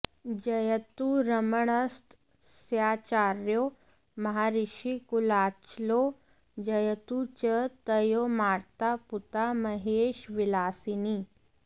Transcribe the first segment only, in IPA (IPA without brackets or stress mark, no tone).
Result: d͡ʑ